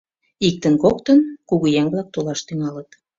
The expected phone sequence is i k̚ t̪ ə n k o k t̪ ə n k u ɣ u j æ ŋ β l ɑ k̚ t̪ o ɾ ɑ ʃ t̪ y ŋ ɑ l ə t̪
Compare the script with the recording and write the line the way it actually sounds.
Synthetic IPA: i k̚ t̪ ə n k o k t̪ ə n k u ɣ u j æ ŋ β l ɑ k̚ t̪ o l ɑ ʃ t̪ y ŋ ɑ l ə t̪